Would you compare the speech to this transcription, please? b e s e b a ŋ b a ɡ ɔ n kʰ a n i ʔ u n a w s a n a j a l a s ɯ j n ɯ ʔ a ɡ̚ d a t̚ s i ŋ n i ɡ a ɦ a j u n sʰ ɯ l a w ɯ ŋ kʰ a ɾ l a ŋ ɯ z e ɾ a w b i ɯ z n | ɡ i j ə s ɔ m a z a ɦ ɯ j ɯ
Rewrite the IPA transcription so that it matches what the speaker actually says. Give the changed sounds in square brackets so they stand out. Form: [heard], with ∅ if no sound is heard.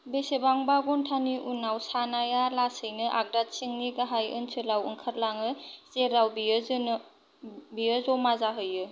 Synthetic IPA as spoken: b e s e b a ŋ b a ɡ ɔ n [tʰ] a n i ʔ u n a w s a n a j a l a s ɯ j n ɯ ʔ a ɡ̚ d a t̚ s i ŋ n i ɡ a ɦ a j [ɯ] n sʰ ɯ l a w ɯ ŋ kʰ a ɾ l a ŋ ɯ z e ɾ a w b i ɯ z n | [b] i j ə [z] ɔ m a z a ɦ ɯ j ɯ